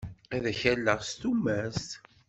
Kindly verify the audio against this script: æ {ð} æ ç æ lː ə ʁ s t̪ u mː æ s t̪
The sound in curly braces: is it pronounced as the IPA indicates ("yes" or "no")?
yes